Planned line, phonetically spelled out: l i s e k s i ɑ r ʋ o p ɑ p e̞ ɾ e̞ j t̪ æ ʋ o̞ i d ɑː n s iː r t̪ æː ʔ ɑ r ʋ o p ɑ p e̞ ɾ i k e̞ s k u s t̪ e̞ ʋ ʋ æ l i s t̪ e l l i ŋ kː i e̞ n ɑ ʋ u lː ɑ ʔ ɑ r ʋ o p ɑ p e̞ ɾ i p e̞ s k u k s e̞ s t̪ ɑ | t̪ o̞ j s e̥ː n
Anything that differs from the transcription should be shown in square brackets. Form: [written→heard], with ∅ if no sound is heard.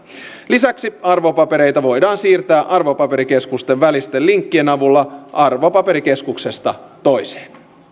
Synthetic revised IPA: l i s [e→æ] k s i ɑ r ʋ o p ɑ p e̞ ɾ e̞ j t̪ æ ʋ o̞ [i→j] d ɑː n s iː r t̪ æː ʔ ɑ r ʋ o p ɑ p e̞ ɾ i k e̞ s k u s t̪ e̞ ʋ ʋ æ l i s t̪ e l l i ŋ kː i e̞ n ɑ ʋ u lː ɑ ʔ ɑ r ʋ o p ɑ p e̞ ɾ i [p→k] e̞ s k u k s e̞ s t̪ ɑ | t̪ o̞ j s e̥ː n

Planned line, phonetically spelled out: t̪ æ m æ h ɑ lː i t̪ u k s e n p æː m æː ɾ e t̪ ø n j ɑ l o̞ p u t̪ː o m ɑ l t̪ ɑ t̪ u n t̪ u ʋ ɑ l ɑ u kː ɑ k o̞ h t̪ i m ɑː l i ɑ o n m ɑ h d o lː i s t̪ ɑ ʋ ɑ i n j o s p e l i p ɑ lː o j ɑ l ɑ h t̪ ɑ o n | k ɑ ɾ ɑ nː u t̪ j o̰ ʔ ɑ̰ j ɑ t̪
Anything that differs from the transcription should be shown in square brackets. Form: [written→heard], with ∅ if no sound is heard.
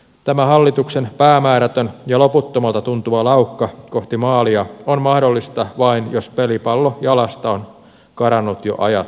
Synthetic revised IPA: t̪ æ m æ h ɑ lː i t̪ u k s e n p æː m æː ɾ [e→æ] t̪ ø n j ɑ l o̞ p u t̪ː o m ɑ l t̪ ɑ t̪ u n t̪ u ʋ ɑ l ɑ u kː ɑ k o̞ h t̪ i m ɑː l i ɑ o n m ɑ h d o lː i s t̪ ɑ ʋ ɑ i n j o s p e l i p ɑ lː o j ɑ l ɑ [h→s] t̪ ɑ o n | k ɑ ɾ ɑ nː u t̪ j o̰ ʔ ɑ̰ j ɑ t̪

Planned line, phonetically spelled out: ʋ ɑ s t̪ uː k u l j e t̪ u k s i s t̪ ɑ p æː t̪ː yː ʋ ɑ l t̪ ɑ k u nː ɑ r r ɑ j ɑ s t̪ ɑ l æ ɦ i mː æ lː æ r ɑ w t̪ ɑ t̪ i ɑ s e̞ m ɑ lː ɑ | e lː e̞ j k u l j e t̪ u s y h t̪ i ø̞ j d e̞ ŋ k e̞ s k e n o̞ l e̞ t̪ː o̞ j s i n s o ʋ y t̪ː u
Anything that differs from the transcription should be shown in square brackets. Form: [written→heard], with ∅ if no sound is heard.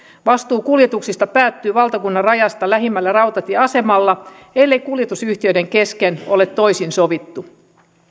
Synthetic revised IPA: ʋ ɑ s t̪ uː k u l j e t̪ u k s i s t̪ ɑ p æː t̪ː yː ʋ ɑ l t̪ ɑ k u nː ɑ r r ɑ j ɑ s t̪ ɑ l æ ɦ i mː æ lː æ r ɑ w t̪ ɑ t̪ i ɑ s e̞ m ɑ lː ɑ | e lː e̞ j k u l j e t̪ u s y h t̪ i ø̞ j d e̞ ŋ k e̞ s k e n o̞ l e̞ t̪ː o̞ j s i n s o ʋ [y→i] t̪ː u

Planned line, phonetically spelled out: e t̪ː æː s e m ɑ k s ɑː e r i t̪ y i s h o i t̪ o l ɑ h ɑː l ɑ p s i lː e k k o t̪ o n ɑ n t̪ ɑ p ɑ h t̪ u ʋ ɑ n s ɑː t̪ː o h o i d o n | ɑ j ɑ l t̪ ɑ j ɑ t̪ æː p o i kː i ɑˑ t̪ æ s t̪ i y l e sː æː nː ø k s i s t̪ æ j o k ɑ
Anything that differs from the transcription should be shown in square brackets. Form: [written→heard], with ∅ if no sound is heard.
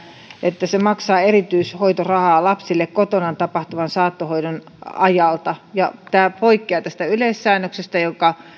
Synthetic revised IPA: e t̪ː [æː→æ] s e m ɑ k s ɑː e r i t̪ y i s h o i t̪ o [l→r] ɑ h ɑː l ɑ p s i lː e k k o t̪ o n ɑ n t̪ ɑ p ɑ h t̪ u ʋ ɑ n s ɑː t̪ː o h o i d o n | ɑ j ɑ l t̪ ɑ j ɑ t̪ æː p o i kː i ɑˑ t̪ æ s t̪ [i→æ] y l e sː æː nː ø k s [i→e] s t̪ æ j o k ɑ

